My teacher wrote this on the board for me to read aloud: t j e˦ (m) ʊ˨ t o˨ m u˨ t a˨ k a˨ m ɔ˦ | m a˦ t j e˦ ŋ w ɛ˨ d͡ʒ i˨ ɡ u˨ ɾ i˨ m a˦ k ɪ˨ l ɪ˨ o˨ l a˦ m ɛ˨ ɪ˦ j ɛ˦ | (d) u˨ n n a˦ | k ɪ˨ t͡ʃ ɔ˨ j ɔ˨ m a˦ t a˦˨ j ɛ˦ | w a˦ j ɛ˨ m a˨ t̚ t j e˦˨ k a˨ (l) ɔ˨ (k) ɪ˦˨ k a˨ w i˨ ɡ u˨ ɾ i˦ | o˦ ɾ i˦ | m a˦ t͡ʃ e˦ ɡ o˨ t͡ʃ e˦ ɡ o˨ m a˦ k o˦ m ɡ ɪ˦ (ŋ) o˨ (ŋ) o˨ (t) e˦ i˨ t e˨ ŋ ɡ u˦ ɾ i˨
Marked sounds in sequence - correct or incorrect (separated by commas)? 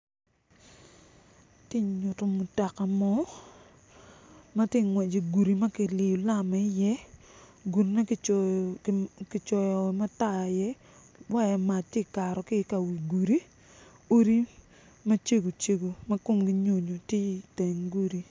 incorrect, incorrect, incorrect, correct, incorrect, incorrect, correct